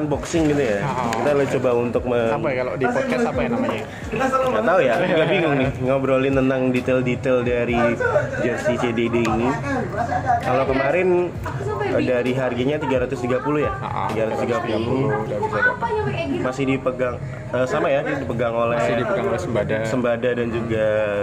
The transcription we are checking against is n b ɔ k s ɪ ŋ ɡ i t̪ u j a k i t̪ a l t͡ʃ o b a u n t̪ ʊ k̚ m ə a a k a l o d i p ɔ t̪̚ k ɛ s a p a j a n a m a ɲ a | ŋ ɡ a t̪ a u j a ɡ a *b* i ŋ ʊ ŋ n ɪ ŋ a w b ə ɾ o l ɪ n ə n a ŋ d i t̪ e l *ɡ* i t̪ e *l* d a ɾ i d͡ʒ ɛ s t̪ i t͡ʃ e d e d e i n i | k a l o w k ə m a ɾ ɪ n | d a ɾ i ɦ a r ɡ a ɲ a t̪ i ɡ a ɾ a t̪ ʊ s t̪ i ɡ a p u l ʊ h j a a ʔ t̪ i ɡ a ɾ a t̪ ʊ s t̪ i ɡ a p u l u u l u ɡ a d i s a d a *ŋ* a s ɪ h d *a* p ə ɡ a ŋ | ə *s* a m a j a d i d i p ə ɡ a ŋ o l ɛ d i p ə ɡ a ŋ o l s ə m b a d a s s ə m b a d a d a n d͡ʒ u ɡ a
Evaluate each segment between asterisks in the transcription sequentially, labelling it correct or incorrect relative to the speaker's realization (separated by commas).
correct, incorrect, correct, incorrect, incorrect, correct